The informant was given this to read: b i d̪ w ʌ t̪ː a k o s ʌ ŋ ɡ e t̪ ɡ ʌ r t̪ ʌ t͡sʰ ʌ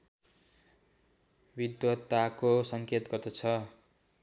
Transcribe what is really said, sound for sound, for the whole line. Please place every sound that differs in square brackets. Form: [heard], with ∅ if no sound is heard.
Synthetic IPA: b i d̪ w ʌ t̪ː a k o s ʌ ŋ [k] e t̪ ɡ ʌ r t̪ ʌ t͡sʰ ʌ